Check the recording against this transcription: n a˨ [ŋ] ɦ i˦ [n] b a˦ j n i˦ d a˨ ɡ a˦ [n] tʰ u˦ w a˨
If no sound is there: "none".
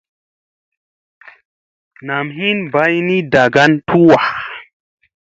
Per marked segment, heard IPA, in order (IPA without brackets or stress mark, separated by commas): m, n, n